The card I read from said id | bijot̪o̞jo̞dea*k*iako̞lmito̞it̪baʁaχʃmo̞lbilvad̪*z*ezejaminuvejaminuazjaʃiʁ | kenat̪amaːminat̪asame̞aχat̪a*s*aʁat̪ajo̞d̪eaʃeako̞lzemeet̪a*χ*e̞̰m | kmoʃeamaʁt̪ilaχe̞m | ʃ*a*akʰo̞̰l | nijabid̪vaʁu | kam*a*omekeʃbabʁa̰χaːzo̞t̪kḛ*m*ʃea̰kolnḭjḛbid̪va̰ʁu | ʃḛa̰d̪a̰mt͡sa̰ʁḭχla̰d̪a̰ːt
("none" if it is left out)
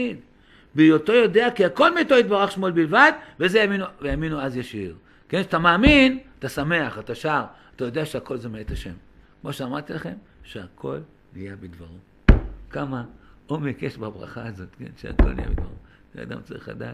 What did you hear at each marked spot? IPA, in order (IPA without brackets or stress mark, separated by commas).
k, v, ʃ, ʃ, e, a, n